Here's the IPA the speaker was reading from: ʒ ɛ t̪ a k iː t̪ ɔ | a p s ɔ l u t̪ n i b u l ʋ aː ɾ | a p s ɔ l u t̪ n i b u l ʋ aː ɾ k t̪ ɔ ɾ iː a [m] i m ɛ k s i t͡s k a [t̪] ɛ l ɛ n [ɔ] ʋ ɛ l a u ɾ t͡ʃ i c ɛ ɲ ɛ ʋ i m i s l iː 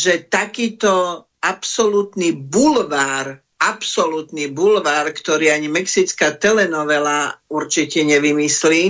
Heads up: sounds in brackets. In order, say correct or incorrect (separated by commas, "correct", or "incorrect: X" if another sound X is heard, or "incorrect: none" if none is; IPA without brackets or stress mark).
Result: incorrect: ɲ, correct, correct